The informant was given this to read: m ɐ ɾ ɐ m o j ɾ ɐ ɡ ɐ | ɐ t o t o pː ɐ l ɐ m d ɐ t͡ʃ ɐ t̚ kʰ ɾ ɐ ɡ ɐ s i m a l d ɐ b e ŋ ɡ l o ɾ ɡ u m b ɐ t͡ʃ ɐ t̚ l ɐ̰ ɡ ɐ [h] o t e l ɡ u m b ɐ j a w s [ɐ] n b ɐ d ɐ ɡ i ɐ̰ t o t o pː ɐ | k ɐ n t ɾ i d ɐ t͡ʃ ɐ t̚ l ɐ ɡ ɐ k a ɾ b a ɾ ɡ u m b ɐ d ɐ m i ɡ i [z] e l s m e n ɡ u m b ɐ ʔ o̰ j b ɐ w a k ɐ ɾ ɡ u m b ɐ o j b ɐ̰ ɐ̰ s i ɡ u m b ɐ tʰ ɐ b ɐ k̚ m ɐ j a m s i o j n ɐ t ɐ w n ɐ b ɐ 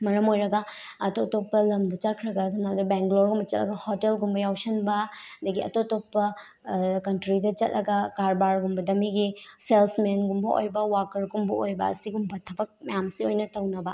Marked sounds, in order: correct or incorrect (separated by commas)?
correct, correct, incorrect